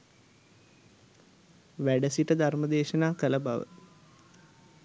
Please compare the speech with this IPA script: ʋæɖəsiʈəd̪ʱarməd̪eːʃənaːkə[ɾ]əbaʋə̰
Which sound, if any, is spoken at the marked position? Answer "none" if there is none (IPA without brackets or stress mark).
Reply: l